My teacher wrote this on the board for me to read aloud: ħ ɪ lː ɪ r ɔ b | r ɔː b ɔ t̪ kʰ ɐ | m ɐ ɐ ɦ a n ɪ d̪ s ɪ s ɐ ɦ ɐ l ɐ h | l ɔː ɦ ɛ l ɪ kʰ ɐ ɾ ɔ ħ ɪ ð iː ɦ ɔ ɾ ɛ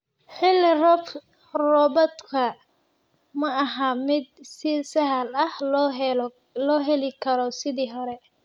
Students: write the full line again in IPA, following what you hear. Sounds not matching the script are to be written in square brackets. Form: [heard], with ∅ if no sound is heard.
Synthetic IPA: ħ ɪ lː ɪ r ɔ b | r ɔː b ɔ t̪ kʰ ɐ | m ɐ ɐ ɦ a [m] ɪ d̪ s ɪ s ɐ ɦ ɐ l ɐ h | l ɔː ɦ ɛ l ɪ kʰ ɐ ɾ ɔ [s] ɪ ð iː ɦ ɔ ɾ ɛ